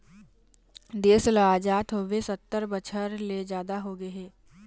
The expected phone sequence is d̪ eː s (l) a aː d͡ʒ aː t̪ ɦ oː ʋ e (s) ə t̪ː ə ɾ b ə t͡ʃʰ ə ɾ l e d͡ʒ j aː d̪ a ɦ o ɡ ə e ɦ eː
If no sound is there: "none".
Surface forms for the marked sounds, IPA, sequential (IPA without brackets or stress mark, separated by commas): l, s